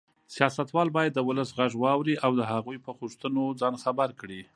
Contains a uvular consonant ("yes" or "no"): no